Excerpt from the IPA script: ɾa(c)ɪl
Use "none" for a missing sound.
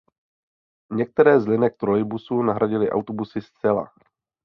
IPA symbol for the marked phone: ɟ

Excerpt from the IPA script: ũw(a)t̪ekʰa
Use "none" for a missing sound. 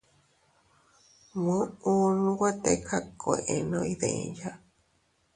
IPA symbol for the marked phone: a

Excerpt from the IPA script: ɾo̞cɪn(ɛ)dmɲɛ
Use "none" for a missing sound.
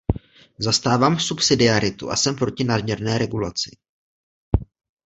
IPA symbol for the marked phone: a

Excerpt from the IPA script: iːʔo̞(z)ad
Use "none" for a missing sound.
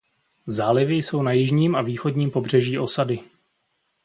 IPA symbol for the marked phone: s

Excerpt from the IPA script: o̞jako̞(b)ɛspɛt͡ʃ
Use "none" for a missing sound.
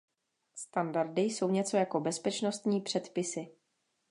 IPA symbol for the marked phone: b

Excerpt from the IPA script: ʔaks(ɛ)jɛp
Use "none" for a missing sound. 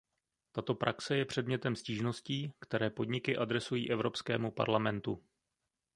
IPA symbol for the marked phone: ɛ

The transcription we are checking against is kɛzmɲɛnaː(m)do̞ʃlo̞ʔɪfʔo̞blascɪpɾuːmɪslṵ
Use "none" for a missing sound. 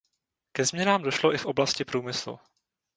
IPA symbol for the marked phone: m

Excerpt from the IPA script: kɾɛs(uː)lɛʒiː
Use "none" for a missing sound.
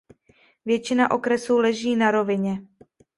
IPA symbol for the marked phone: uː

